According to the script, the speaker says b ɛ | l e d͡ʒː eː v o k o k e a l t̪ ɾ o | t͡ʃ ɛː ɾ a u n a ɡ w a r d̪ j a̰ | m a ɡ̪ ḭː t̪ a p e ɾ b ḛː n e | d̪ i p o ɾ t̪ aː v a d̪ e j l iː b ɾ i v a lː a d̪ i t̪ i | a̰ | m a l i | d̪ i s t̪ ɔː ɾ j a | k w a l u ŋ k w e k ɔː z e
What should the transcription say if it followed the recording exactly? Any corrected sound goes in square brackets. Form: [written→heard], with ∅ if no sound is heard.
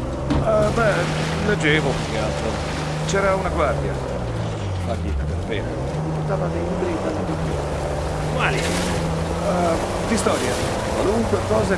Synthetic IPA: b ɛ | l e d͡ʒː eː v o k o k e a l t̪ ɾ o | t͡ʃ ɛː ɾ a u n a ɡ w a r d̪ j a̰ | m a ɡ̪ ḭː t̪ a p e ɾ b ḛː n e | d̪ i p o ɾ t̪ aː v a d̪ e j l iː b ɾ i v a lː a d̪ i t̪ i | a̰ | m a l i | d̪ i s t̪ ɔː ɾ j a | k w a l u ŋ k w e k ɔː z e